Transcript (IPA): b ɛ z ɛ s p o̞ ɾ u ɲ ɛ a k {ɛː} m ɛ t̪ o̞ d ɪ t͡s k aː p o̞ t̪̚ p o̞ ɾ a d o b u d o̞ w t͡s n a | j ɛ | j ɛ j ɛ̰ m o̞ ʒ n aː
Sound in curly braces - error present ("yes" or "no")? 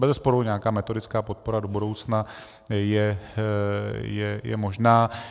yes